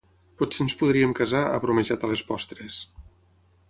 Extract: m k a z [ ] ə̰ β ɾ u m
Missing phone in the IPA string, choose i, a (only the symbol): a